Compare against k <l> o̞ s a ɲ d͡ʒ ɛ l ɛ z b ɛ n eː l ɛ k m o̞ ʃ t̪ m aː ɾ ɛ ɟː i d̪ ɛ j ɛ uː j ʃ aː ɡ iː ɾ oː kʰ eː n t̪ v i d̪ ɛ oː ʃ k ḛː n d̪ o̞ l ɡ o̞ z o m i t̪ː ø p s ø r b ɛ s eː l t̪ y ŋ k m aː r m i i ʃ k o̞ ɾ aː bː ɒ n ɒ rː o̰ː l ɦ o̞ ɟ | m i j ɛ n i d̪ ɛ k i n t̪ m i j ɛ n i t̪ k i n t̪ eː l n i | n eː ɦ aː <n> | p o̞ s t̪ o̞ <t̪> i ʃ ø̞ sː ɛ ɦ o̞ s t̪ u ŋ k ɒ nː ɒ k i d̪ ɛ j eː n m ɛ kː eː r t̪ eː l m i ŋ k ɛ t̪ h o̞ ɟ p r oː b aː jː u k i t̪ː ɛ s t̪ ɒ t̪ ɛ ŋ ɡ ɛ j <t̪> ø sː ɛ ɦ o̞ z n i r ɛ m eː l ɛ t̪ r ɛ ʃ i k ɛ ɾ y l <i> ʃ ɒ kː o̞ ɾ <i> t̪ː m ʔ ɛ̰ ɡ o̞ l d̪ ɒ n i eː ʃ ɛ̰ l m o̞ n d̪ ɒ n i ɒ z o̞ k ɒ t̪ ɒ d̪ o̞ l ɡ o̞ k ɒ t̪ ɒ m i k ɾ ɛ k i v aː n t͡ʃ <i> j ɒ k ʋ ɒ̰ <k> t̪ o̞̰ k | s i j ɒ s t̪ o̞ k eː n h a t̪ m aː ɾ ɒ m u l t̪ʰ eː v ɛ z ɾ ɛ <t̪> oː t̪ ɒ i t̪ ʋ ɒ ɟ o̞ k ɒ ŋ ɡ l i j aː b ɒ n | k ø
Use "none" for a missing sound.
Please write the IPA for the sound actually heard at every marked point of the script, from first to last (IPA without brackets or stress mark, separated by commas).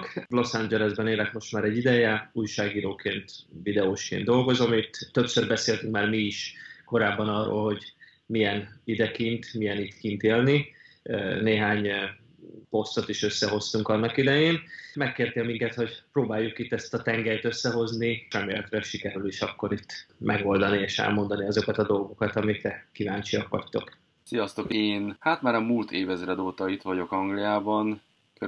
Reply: l, ɲ, t̪, t̪, i, i, i, c, d̪